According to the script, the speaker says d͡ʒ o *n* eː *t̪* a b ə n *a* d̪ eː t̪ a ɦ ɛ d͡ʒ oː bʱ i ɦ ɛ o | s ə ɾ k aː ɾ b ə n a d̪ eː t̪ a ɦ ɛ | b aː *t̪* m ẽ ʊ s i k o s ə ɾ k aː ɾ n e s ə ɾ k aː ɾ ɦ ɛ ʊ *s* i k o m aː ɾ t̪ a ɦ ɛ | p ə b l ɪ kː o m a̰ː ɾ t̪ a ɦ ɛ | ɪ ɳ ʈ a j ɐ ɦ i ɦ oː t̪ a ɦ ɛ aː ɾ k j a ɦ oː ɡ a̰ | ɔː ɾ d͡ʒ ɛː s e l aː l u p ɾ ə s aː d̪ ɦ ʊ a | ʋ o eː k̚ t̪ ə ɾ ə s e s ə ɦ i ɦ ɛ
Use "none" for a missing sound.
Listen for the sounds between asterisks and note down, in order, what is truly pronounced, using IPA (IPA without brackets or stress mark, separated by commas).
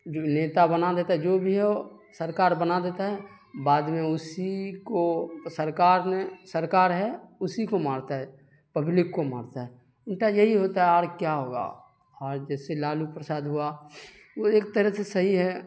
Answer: n, t̪, a, d̪, s